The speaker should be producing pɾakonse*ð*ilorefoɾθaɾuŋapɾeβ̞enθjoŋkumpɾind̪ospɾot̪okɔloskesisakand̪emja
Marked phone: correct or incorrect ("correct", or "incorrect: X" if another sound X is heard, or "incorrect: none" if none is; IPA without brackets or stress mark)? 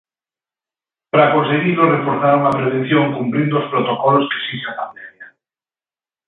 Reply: incorrect: ɣ